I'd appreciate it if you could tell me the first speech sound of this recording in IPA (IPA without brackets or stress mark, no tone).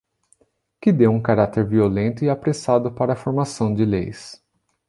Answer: k